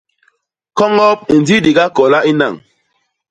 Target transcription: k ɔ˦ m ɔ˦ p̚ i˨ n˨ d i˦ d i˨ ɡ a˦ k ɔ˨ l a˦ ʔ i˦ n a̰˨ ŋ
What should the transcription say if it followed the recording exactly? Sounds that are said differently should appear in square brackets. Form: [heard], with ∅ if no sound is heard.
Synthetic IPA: k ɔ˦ [ŋ] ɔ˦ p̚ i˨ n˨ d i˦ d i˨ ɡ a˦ k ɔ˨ l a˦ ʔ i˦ n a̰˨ ŋ

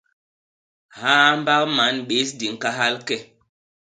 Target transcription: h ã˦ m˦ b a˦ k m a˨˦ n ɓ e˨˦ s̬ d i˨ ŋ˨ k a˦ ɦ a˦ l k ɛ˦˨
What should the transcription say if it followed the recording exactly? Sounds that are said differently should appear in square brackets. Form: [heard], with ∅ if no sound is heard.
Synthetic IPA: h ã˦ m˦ b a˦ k m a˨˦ n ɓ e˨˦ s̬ d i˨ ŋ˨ k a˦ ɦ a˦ l k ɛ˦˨

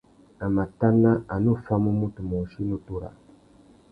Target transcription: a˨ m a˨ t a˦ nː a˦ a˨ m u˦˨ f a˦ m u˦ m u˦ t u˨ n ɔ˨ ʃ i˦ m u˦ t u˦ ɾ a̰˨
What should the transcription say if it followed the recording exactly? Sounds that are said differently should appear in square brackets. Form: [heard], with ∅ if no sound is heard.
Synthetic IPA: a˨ m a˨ t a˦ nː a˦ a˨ [n] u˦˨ f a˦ m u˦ m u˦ t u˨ [m] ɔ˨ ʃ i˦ [n] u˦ t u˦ ɾ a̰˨

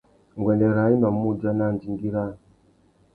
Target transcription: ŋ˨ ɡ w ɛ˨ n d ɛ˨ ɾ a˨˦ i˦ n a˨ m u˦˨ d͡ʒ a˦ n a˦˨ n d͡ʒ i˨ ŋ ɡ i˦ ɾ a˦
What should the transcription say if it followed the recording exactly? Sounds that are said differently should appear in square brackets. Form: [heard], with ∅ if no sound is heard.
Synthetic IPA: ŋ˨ ɡ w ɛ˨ n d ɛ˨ ɾ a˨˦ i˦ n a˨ m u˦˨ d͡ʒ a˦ n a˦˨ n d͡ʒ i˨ ŋ ɡ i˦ ɾ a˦

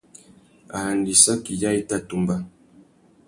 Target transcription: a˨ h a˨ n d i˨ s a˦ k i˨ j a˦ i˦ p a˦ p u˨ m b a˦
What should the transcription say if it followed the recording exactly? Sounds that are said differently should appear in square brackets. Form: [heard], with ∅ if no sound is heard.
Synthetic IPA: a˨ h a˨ n d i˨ s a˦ k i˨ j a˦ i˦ [t] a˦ [t] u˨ m b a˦

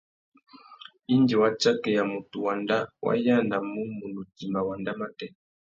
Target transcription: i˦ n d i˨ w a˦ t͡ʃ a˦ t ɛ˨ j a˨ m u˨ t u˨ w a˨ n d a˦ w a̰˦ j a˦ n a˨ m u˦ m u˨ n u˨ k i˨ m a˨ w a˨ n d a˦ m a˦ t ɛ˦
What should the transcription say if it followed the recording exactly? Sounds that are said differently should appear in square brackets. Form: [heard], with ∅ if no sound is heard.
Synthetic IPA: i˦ n d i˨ w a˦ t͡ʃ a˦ [k] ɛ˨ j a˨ m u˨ t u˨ w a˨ n d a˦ w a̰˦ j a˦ n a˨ m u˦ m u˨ n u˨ [t] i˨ m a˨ w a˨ n d a˦ m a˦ t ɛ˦

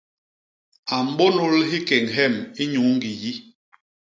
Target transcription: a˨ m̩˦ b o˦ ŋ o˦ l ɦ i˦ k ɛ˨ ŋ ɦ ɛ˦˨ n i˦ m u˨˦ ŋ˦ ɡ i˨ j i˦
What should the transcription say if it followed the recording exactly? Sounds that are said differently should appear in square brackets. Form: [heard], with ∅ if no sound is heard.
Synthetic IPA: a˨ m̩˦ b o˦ [n] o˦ l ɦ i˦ k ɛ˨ ŋ ɦ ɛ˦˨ [m] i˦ [ɲ] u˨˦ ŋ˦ ɡ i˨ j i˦

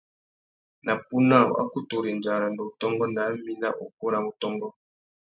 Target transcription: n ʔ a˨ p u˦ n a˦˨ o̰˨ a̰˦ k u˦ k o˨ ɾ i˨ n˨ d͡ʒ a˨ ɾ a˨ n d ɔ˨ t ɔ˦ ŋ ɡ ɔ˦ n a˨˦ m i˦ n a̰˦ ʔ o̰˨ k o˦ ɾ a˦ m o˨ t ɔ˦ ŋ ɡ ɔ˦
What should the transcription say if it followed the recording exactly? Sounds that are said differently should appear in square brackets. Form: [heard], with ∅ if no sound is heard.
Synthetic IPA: n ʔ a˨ p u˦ n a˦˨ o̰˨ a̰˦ k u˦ [t] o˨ ɾ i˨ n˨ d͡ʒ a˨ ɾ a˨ n d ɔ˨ t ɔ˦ ŋ ɡ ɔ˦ n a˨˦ m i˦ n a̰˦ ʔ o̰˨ k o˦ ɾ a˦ m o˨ t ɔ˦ ŋ ɡ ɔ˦

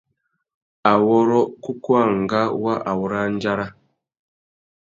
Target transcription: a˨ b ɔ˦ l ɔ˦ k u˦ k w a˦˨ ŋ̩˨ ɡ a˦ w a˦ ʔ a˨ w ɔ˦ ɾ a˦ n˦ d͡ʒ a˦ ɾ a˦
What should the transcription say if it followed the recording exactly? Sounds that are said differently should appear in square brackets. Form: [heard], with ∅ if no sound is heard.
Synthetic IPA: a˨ [w] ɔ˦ [ɾ] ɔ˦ k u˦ k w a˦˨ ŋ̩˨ ɡ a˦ w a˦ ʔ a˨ w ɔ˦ ɾ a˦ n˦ d͡ʒ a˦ ɾ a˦

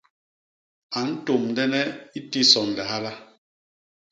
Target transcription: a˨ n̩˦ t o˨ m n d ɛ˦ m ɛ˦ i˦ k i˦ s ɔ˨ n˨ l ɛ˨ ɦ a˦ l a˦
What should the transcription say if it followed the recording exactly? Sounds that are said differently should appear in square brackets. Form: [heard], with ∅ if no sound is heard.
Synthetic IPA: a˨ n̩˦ t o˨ m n d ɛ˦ [n] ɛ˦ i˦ [t] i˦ s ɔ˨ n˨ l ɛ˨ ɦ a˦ l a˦

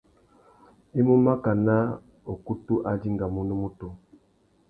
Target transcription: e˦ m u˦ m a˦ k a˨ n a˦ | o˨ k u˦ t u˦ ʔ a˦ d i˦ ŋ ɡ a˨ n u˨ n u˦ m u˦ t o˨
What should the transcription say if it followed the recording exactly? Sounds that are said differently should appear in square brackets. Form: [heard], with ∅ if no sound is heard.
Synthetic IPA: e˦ m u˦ m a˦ k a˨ n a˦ | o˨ k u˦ t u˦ ʔ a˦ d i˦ ŋ ɡ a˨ [m] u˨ n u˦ m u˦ t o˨

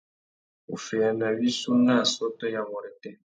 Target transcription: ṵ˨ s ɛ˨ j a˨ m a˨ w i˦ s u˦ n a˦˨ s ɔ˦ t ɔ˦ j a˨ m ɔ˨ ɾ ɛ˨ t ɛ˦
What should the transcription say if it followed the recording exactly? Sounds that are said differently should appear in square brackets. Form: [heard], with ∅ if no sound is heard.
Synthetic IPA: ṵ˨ [f] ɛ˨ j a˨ [n] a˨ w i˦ s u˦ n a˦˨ s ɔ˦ t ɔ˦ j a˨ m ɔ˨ ɾ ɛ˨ t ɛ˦

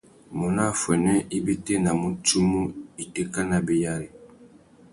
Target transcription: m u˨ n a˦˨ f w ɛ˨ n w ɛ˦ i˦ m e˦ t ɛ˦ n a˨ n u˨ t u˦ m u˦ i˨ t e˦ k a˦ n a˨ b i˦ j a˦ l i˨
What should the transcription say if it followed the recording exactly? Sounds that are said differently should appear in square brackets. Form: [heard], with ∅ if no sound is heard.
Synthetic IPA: m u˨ n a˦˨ f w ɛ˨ n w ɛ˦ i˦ [b] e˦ t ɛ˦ n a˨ [m] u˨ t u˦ m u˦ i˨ t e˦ k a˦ n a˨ b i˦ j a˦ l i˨

